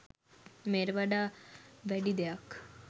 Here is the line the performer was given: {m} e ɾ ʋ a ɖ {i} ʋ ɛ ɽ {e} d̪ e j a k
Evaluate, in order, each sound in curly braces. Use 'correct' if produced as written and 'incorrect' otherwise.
correct, incorrect, incorrect

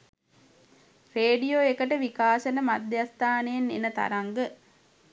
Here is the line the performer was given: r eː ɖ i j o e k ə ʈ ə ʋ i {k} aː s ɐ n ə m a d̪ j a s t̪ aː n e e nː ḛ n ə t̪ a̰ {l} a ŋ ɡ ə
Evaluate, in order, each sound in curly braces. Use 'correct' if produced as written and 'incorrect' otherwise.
correct, incorrect

